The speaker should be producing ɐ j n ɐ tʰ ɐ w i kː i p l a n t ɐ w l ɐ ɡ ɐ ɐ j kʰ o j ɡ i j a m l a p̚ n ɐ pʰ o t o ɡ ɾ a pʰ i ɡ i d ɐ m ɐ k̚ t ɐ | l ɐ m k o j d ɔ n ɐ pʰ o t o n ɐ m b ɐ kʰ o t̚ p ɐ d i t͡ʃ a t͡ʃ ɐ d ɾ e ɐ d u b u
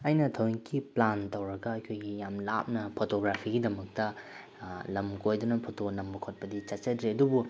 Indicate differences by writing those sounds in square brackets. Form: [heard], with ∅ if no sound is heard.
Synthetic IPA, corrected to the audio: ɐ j n ɐ tʰ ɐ w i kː i p l a n t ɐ w [ɾ] ɐ ɡ ɐ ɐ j kʰ o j ɡ i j a m l a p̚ n ɐ pʰ o t o ɡ ɾ a pʰ i ɡ i d ɐ m ɐ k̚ t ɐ | l ɐ m k o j d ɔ n ɐ pʰ o t o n ɐ m b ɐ kʰ o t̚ p ɐ d i t͡ʃ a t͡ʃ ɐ d ɾ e ɐ d u b u

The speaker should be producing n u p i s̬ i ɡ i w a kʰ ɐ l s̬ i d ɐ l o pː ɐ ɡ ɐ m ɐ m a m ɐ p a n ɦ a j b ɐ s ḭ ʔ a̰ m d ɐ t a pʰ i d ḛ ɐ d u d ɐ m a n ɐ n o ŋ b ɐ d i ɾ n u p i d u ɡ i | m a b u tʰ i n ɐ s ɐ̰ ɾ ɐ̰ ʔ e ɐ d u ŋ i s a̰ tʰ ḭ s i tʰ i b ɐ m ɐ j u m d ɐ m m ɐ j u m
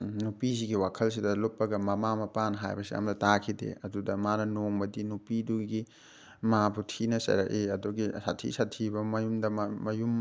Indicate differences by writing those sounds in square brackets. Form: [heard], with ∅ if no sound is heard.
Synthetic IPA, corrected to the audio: n u p i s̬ i ɡ i w a kʰ ɐ l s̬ i d ɐ l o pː ɐ ɡ ɐ m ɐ m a m ɐ p a n ɦ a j b ɐ s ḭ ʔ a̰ m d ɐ t a [kʰ] i d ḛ ɐ d u d ɐ m a n ɐ n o ŋ b ɐ d i [∅] n u p i d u ɡ i | m a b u tʰ i n ɐ s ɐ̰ ɾ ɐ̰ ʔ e ɐ d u [ɡ] i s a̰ tʰ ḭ s [a] tʰ i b ɐ m ɐ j u m d ɐ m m ɐ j u m

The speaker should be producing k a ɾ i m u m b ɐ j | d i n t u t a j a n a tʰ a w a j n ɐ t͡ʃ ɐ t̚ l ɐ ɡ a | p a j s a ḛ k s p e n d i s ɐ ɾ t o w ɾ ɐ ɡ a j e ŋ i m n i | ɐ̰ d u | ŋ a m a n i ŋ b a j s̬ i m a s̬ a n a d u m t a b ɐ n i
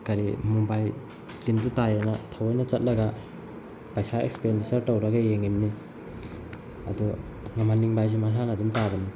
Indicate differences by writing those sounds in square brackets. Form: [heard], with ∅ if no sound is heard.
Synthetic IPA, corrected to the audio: k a ɾ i m u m b [a] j | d i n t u t a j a n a tʰ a w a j n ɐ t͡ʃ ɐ t̚ l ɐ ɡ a | p a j s a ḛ k s p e n d i s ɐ ɾ t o w ɾ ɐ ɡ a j e ŋ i m n i | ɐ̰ d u | ŋ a m a n i ŋ b a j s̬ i m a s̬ a n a d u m t a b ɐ n i

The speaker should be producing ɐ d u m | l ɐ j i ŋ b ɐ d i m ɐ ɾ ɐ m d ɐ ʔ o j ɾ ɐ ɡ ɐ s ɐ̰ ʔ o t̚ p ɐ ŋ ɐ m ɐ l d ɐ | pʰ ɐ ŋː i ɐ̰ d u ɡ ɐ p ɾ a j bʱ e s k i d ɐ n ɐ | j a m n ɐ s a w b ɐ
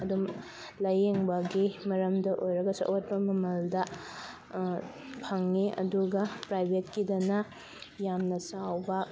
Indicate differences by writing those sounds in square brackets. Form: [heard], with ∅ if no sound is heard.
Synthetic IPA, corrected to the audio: ɐ d u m | l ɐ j [e] ŋ b ɐ [ɡ] i m ɐ ɾ ɐ m d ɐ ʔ o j ɾ ɐ ɡ ɐ s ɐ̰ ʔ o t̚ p ɐ [m] ɐ m ɐ l d ɐ | pʰ ɐ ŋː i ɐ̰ d u ɡ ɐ p ɾ a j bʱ e [t] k i d ɐ n ɐ | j a m n ɐ s a w b ɐ

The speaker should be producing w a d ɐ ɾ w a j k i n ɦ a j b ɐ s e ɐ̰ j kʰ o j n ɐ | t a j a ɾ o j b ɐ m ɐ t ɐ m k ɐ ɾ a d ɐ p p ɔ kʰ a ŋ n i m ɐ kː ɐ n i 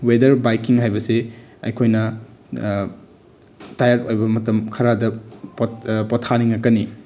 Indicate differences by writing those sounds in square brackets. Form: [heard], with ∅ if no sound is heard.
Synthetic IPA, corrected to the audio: w [e] d ɐ ɾ [b] a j k i [ŋ] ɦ a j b ɐ s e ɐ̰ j kʰ o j n ɐ | t a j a ɾ o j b ɐ m ɐ t ɐ m [kʰ] ɐ ɾ a d ɐ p p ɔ [tʰ] a [∅] n i [ŋ] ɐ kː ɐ n i

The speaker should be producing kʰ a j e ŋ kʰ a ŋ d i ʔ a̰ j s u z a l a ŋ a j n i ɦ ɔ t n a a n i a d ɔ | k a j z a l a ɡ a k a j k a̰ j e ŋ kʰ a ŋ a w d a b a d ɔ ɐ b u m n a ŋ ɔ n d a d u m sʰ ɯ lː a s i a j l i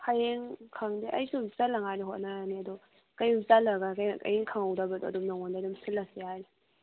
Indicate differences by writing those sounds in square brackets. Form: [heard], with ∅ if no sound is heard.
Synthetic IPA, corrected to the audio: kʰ a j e ŋ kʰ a ŋ d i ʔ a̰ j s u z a l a ŋ a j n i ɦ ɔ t n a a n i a d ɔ | k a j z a l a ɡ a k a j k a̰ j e ŋ kʰ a ŋ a w d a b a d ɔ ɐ [d] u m n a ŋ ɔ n d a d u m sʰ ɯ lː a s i a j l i

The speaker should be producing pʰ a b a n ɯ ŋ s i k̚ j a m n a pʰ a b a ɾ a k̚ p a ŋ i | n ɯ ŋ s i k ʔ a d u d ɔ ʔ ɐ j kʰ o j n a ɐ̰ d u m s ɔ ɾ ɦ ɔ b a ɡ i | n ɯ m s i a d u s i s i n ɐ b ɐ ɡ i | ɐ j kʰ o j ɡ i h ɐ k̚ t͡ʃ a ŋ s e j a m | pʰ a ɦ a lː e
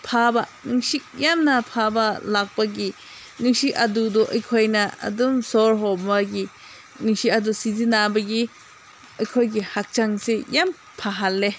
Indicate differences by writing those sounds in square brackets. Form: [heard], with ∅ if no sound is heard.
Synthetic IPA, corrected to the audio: pʰ a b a n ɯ ŋ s i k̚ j a m n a pʰ a b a [l] a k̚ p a [ɡ] i | n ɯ ŋ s i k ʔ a d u d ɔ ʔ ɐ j kʰ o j n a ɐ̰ d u m s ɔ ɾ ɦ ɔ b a ɡ i | n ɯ [ŋ] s i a d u s i [z] i n [a] b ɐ ɡ i | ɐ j kʰ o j ɡ i h [a] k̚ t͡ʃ a ŋ s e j a m | pʰ a ɦ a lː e

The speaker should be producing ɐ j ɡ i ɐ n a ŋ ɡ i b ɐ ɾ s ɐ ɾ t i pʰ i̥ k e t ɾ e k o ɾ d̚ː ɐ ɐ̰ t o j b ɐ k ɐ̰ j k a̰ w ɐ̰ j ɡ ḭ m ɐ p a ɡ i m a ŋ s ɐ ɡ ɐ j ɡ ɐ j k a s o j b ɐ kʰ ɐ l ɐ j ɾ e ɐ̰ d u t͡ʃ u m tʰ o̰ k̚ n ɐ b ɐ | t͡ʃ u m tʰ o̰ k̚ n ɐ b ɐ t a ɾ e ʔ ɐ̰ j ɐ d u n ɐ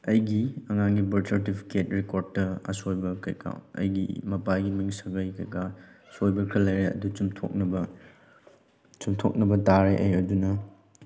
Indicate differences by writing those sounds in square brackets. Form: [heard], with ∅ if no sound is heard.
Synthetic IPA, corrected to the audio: ɐ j ɡ i ɐ [ŋ] a ŋ ɡ i b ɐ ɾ s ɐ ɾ t i pʰ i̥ k e t ɾ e k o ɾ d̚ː ɐ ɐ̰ [s] o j b ɐ k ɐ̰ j k a̰ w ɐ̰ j ɡ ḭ m ɐ p a ɡ i m [i] ŋ s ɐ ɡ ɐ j [k] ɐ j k a s o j b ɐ kʰ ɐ l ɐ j ɾ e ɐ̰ d u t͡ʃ u m tʰ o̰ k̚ n ɐ b ɐ | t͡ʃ u m tʰ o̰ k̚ n ɐ b ɐ t a ɾ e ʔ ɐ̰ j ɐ d u n ɐ

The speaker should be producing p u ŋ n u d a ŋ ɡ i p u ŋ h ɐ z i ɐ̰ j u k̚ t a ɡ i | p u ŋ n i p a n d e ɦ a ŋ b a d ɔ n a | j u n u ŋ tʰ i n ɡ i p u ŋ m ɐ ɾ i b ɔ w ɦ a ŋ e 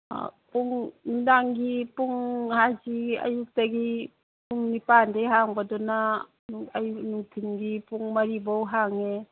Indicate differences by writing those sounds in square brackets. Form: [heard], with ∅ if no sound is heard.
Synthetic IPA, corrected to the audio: p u ŋ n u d a ŋ ɡ i p u ŋ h [a] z i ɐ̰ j u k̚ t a ɡ i | p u ŋ n i p a n d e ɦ a ŋ b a d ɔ n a | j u n u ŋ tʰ i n ɡ i p u ŋ m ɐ ɾ i b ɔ w ɦ a ŋ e

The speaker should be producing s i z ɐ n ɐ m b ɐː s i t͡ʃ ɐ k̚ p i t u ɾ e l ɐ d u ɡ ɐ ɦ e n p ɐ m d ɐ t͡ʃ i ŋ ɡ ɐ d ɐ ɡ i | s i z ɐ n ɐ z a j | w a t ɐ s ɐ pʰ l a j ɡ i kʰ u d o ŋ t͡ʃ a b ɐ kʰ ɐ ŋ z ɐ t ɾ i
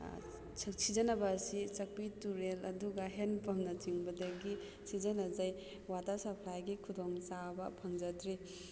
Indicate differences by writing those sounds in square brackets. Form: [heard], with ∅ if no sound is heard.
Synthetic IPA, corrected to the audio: s i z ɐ n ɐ [∅] b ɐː s i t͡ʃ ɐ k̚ p i t u ɾ e l ɐ d u ɡ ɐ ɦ e n p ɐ m [n] ɐ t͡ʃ i ŋ [b] ɐ d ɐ ɡ i | s i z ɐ n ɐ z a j | w a t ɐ s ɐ pʰ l a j ɡ i kʰ u d o ŋ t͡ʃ a b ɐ [pʰ] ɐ ŋ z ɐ t ɾ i

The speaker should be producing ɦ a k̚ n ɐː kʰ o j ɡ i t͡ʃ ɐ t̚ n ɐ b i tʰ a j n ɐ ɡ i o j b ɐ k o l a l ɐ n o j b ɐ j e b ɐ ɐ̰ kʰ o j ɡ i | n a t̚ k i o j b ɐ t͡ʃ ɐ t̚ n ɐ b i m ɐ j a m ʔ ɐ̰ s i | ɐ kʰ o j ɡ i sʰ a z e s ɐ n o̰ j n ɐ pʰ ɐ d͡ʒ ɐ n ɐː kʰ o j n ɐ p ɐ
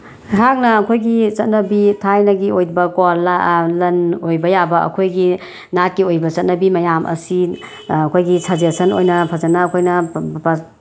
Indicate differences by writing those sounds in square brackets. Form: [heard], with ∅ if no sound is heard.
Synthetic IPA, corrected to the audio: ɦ a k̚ n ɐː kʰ o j ɡ i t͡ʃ ɐ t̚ n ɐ b i tʰ a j n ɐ ɡ i o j b ɐ k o l a l ɐ n o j b ɐ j [a] b ɐ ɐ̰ kʰ o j ɡ i | n a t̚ k i o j b ɐ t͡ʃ ɐ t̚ n ɐ b i m ɐ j a m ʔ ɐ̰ s i | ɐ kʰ o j ɡ i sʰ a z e s ɐ n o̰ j n ɐ pʰ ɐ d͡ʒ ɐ n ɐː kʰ o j n ɐ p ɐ

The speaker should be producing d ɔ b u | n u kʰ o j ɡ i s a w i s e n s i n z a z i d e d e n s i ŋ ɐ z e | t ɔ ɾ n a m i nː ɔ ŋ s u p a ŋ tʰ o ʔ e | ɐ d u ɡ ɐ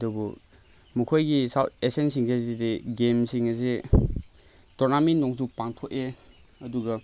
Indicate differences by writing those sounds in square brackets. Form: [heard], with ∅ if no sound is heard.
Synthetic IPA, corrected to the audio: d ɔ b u | [m] u kʰ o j ɡ i s a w [e] s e n s i [ŋ] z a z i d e [ɡ] e [m] s i ŋ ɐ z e | t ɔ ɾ n a m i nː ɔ ŋ s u p a ŋ tʰ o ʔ e | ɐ d u ɡ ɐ

